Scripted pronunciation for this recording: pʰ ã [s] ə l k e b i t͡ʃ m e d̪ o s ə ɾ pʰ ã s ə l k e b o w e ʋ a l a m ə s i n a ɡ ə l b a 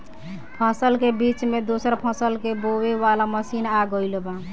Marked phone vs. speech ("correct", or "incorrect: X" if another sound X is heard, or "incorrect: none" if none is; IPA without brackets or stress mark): correct